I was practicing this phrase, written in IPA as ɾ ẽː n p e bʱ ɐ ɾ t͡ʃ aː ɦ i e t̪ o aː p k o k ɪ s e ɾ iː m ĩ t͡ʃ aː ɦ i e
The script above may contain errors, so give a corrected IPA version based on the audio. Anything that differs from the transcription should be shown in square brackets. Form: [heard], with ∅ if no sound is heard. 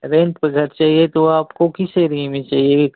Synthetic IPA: ɾ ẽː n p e [ɡʱ] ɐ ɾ t͡ʃ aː ɦ i e t̪ o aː p k o k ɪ s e ɾ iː m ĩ t͡ʃ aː ɦ i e